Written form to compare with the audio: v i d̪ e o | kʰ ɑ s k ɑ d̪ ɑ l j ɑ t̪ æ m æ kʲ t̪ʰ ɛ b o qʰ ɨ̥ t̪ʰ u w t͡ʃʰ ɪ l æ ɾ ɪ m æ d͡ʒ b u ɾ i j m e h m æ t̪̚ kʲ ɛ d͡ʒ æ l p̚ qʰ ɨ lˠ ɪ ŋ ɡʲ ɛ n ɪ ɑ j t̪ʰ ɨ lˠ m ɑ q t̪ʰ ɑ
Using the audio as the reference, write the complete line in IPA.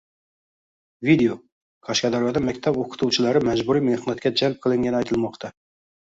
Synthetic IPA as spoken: v i d̪ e o | kʰ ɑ ʃ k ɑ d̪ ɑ ɾ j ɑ d̪ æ m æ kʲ t̪ʰ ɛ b o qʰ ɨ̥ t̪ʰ u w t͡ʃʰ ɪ l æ ɾ ɪ m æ d͡ʒ b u ɾ i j m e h n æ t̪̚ kʲ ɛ d͡ʒ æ l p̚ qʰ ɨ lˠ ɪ ŋ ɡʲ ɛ n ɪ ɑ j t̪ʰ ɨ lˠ m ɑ q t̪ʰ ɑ

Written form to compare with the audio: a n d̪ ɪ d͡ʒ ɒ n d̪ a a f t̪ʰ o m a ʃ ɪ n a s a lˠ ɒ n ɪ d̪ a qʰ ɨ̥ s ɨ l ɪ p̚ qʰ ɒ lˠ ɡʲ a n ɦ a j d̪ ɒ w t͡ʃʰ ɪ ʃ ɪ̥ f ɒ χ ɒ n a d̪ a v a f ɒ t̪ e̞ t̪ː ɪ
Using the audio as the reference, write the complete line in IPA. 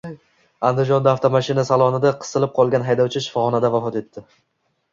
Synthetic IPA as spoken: a n d̪ ɪ d͡ʒ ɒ n d̪ a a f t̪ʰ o m a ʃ ɪ n a s a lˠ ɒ n ɪ d̪ a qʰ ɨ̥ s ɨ l ɪ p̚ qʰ ɒ lˠ ɡʲ a n ɦ a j d̪ ɒ w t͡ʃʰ ɪ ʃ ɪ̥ f ɒ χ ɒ n a d̪ a v a f ɒ t̪ e̞ t̪ː ɪ

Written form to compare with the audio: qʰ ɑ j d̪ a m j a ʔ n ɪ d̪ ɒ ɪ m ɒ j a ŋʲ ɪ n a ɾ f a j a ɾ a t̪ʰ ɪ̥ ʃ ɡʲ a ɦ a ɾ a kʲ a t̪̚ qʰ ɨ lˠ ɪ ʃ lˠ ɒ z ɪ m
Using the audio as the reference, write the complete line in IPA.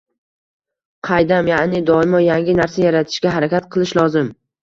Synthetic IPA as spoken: qʰ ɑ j d̪ a m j a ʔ n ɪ d̪ ɒ ɪ m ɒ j a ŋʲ ɪ n a ɾ s a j a ɾ a t̪ʰ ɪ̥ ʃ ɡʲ a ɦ a ɾ a kʲ a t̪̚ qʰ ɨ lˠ ɪ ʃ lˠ ɒ z ɪ m

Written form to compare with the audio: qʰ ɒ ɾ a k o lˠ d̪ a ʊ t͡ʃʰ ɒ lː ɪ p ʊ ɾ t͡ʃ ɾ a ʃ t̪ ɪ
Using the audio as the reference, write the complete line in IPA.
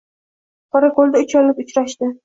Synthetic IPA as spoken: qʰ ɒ ɾ a k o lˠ d̪ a ʊ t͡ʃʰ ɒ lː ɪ p ʊ t͡ʃ ɾ a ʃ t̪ ɪ

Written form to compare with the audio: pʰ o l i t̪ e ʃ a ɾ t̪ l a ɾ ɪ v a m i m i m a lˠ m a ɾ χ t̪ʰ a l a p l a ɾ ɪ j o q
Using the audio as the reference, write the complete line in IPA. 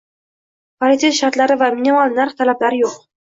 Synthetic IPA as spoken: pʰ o l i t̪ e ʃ a ɾ t̪ l a ɾ ɪ v a m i n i m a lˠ n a ɾ χ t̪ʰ a l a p l a ɾ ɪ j o q

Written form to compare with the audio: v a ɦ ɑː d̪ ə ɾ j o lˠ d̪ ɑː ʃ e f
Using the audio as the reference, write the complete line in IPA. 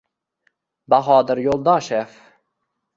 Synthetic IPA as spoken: b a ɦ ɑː d̪ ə ɾ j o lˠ d̪ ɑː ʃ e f

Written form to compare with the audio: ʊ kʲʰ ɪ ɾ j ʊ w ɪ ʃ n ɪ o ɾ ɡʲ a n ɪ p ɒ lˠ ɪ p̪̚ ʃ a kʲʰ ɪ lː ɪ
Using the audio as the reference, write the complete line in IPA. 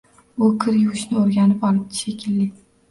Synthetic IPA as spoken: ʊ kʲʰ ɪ ɾ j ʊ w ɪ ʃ n ɪ o ɾ ɡʲ a n ɪ p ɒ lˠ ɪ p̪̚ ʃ e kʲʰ ɪ lː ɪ

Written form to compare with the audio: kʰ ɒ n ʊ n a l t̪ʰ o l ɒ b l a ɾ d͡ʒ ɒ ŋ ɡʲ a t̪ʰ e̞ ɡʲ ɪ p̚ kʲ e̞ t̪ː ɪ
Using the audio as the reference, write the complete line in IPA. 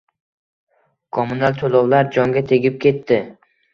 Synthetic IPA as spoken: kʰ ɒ m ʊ n a l t̪ʰ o l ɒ w l a ɾ d͡ʒ ɒ ŋ ɡʲ a t̪ʰ e̞ ɡʲ ɪ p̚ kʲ e̞ t̪ː ɪ

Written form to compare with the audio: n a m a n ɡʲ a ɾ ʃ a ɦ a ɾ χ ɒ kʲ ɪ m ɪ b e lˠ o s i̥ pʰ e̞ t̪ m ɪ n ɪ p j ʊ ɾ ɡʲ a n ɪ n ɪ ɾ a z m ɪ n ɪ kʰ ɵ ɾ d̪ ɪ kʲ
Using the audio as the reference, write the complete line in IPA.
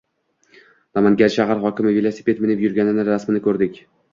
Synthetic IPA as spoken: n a m a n ɡʲ a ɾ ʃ a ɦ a ɾ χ ɒ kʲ ɪ m ɪ v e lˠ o s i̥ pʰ e̞ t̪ m ɪ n ɪ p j ʊ ɾ ɡʲ a n ɪ n ɪ ɾ a s m ɪ n ɪ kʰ ɵ ɾ d̪ ɪ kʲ

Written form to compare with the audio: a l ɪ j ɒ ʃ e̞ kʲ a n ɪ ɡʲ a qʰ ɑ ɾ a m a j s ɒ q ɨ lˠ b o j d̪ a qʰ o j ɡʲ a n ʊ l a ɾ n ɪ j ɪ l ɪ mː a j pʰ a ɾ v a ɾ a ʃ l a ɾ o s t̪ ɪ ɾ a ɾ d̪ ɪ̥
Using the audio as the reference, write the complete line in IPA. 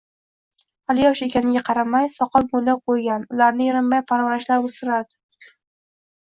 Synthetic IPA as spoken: a l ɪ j ɒ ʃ e̞ kʲ a n ɪ ɡʲ a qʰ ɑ ɾ a m a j s ɒ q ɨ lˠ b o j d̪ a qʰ o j ɡʲ a n ʊ l a ɾ n ɪ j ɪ ɾ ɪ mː a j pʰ a ɾ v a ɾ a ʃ l a ɾ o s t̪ ɪ ɾ a ɾ d̪ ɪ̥

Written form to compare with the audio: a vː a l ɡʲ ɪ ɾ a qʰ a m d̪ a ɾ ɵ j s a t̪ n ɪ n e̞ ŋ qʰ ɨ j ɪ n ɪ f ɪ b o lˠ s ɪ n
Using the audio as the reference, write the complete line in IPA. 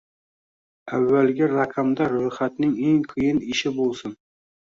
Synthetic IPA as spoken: a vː a l ɡʲ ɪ ɾ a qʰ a m d̪ a ɾ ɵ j χ a t̪ n ɪ ŋ e̞ ŋ qʰ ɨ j ɪ n ɪ ʃ ɪ b o lˠ s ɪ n

